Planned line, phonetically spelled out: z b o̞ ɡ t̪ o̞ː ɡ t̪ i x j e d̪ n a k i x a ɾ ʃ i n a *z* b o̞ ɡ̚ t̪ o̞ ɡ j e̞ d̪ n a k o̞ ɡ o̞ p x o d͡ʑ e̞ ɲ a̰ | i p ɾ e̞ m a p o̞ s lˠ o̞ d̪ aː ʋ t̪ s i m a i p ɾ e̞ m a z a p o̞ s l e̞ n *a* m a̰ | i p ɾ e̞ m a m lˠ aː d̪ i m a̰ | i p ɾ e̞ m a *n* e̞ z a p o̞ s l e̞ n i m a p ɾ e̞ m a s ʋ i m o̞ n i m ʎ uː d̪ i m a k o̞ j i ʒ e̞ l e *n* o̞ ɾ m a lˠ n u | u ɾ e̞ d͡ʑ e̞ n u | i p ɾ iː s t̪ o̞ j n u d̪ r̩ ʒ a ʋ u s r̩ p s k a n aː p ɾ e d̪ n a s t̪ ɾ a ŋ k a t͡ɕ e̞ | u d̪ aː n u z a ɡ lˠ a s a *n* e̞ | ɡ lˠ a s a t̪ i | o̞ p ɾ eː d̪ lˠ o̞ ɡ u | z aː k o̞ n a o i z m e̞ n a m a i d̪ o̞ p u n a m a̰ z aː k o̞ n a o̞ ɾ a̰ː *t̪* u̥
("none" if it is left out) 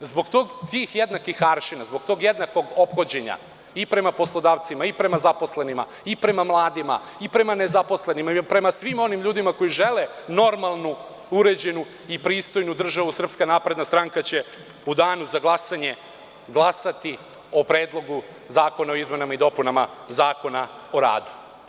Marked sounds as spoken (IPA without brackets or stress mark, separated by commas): z, i, n, n, ɲ, d̪